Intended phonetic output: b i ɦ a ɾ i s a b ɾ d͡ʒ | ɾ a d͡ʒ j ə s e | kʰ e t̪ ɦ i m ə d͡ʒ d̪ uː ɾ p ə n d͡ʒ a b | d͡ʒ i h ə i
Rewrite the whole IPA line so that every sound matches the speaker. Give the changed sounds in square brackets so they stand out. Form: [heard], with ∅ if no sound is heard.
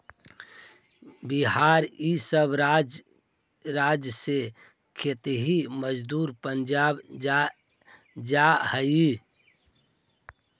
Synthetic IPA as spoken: b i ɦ a ɾ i s [ə] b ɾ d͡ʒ | ɾ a d͡ʒ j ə s e | kʰ e t̪ ɦ i m ə d͡ʒ d̪ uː ɾ p ə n d͡ʒ a b | d͡ʒ [a] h ə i